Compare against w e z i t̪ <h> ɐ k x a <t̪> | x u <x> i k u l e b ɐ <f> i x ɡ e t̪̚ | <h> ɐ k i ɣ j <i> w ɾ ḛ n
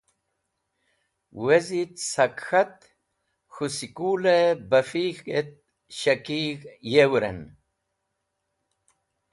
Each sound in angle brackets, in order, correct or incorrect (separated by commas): incorrect, correct, incorrect, correct, incorrect, incorrect